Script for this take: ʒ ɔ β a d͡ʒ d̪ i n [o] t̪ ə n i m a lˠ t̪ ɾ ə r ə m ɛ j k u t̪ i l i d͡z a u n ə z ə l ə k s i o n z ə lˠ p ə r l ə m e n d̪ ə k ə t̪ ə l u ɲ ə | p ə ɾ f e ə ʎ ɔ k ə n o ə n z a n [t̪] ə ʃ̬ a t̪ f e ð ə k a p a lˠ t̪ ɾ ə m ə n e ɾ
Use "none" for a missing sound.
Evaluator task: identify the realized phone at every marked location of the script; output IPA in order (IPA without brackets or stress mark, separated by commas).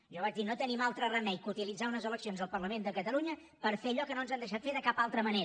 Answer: o, d̪